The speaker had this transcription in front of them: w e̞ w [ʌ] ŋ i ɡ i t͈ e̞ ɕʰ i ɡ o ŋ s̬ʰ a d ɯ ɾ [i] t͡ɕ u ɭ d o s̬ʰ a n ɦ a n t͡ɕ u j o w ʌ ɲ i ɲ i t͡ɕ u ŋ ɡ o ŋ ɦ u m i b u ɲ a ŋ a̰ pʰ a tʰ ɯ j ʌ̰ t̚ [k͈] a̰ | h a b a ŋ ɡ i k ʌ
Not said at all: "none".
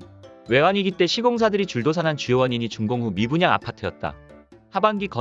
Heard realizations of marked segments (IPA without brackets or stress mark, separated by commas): a, i, t͈